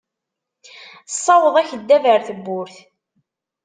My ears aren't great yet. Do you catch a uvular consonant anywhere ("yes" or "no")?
no